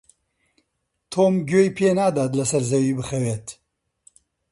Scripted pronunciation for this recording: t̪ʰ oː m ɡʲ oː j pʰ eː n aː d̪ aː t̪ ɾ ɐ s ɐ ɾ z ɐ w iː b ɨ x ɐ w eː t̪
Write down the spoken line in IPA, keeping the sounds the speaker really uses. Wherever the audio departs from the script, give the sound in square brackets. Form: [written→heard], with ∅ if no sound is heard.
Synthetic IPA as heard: t̪ʰ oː m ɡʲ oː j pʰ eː n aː d̪ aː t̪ [ɾ→l] ɐ s ɐ ɾ z ɐ w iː b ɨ x ɐ w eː t̪